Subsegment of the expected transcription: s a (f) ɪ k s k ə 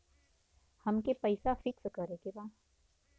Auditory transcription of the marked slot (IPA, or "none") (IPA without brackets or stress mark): f